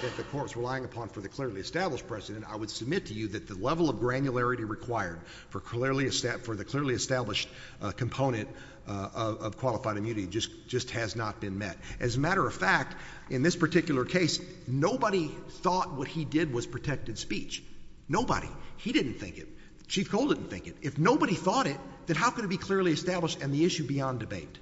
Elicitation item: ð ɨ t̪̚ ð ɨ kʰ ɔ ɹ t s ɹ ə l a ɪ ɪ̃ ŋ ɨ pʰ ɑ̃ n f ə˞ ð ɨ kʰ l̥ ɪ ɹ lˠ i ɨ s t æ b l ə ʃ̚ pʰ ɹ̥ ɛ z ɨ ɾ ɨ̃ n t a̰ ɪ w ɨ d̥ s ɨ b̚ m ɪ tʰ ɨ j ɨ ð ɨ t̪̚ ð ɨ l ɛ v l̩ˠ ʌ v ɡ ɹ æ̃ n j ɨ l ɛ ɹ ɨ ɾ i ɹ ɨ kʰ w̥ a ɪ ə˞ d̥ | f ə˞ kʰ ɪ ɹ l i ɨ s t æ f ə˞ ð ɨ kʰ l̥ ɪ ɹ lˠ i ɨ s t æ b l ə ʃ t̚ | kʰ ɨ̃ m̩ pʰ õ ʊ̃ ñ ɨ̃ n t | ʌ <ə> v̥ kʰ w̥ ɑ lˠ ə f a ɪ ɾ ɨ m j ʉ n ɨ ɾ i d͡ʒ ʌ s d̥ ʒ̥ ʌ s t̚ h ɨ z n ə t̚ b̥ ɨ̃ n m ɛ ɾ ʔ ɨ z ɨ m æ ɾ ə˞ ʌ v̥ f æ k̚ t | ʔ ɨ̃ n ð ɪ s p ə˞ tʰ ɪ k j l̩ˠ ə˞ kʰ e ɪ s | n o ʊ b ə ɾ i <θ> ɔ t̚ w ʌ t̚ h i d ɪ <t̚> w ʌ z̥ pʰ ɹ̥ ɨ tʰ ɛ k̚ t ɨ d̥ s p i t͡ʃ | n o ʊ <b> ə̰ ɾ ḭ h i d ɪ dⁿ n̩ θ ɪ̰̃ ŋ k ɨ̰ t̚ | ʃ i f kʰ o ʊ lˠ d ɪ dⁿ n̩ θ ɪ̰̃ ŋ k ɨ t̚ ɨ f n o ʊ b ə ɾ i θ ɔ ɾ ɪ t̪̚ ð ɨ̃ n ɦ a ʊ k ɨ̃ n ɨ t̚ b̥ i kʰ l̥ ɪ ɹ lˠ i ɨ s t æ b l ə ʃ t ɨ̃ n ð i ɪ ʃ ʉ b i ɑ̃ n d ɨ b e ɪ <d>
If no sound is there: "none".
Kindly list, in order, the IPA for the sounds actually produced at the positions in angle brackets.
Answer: ʌ, θ, d̚, b, t

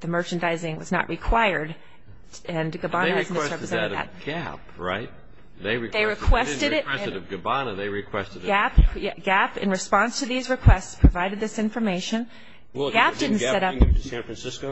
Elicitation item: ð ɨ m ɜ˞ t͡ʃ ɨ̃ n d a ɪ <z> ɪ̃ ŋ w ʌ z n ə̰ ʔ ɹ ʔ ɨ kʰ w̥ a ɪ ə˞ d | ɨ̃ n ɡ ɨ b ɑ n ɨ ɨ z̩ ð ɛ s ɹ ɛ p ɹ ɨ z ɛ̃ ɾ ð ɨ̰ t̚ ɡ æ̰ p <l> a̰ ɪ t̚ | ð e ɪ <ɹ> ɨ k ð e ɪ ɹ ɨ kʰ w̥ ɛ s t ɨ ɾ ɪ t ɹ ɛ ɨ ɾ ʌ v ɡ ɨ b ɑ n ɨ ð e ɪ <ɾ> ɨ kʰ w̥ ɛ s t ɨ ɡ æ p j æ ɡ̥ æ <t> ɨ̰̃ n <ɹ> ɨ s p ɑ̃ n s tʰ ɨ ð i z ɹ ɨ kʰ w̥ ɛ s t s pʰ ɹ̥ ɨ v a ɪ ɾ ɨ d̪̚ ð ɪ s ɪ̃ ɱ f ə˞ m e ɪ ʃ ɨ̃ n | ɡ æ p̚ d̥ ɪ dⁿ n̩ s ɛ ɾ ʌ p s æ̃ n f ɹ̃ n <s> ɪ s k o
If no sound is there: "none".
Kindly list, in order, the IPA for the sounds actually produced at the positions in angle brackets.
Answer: z, ɹ, ɹ, ɹ, p, ɹ, s

